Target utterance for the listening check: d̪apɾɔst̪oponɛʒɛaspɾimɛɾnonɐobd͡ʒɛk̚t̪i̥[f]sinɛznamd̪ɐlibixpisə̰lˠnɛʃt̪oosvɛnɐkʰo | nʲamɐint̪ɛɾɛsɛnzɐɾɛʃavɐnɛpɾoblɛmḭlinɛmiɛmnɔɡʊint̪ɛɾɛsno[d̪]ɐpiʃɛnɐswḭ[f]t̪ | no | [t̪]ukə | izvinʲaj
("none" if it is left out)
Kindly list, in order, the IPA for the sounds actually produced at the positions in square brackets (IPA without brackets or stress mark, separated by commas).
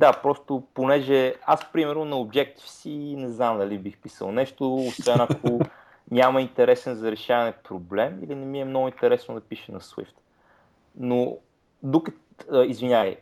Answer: f, d̪, f, d̪